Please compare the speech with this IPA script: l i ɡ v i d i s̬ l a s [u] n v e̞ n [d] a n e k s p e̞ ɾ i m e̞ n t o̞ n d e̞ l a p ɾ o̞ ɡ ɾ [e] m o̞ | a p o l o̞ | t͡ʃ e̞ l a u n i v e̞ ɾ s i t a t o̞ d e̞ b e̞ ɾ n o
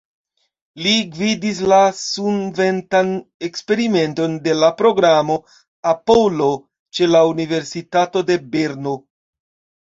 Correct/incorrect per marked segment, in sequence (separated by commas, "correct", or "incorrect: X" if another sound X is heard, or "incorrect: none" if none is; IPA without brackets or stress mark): correct, incorrect: t, incorrect: a